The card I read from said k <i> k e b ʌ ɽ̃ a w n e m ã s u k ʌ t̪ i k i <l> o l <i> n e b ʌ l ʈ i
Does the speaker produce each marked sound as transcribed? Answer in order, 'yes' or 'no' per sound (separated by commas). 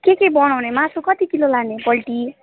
no, yes, no